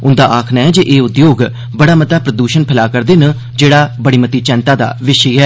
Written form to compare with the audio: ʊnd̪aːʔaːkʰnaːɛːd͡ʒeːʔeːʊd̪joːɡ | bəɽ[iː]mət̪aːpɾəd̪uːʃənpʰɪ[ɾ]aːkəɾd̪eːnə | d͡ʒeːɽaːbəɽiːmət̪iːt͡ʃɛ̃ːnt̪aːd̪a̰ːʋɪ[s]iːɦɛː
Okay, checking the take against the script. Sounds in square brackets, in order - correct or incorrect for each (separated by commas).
incorrect, incorrect, incorrect